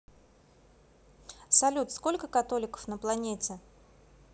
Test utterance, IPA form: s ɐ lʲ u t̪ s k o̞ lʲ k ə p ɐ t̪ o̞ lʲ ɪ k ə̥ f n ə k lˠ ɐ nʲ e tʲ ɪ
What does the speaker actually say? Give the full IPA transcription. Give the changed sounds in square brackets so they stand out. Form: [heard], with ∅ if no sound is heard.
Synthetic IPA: s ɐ lʲ u t̪ s k o̞ lʲ k ə [k] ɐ t̪ o̞ lʲ ɪ k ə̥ f n ə [p] lˠ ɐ nʲ e tʲ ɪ

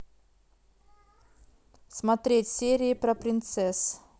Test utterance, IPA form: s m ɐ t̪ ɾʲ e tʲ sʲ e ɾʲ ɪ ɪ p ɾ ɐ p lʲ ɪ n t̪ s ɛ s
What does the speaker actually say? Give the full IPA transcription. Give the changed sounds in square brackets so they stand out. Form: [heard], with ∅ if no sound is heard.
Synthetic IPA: s m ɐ t̪ ɾʲ e tʲ sʲ e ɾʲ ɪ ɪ p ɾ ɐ p [ɾʲ] ɪ n t̪ s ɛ s

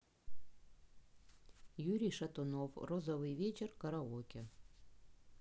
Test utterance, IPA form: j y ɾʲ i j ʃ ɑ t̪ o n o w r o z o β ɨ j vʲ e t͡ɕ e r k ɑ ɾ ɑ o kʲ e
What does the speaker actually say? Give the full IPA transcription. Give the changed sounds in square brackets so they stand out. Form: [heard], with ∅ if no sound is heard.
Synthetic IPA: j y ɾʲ i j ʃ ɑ t̪ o n o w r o z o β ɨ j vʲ e t͡ɕ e r k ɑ ɾ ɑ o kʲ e

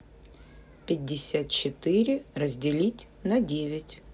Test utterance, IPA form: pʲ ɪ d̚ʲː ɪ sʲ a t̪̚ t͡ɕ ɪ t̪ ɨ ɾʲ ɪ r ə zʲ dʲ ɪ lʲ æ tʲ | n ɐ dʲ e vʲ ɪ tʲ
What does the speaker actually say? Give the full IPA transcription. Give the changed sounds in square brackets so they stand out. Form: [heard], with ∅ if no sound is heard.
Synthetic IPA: pʲ ɪ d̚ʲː ɪ sʲ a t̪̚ t͡ɕ ɪ t̪ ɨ ɾʲ ɪ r ə zʲ dʲ ɪ lʲ [i] tʲ | n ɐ dʲ e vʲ ɪ tʲ

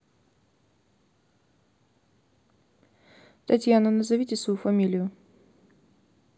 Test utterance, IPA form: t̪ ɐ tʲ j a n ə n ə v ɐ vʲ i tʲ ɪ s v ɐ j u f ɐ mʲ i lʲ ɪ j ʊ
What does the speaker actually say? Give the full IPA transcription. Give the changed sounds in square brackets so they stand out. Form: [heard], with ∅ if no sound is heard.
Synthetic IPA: t̪ ɐ tʲ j a n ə n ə [z] ɐ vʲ i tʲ ɪ s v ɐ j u f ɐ mʲ i lʲ ɪ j ʊ

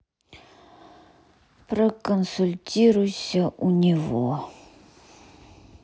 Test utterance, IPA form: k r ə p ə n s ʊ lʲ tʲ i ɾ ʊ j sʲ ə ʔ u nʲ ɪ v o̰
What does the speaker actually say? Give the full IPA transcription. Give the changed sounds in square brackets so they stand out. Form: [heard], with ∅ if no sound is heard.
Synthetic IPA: [p] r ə [k] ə n s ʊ lʲ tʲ i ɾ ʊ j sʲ ə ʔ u nʲ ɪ v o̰

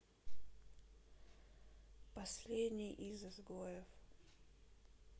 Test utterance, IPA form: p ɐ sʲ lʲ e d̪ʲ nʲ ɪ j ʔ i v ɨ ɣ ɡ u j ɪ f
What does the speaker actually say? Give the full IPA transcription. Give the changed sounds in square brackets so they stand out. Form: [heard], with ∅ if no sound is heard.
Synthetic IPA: p ɐ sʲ lʲ e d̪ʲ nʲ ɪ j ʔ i [z] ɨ [z] ɡ [o] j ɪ f

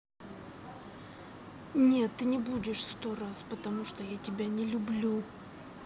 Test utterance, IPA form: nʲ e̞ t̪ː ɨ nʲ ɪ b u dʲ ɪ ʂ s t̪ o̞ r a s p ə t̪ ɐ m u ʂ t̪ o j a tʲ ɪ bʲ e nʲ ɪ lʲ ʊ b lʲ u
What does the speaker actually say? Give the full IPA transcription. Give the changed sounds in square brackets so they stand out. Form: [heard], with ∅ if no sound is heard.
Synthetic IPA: nʲ e̞ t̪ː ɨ nʲ ɪ b u dʲ ɪ ʂ s t̪ o̞ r a s p ə t̪ ɐ m u ʂ t̪ o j a tʲ ɪ bʲ [a] nʲ ɪ lʲ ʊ b lʲ u

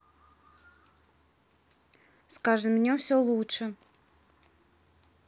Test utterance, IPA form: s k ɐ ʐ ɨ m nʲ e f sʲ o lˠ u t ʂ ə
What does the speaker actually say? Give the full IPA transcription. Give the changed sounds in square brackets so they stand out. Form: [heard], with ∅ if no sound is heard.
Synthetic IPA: s k [a] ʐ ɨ m nʲ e f sʲ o lˠ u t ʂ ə

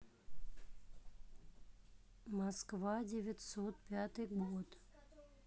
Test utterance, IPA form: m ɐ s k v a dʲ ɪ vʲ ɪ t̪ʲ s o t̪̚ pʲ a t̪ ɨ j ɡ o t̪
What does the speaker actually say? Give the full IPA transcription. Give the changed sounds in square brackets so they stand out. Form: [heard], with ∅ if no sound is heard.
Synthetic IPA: m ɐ s k v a dʲ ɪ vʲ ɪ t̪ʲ s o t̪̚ pʲ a t̪ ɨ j ɡ o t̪

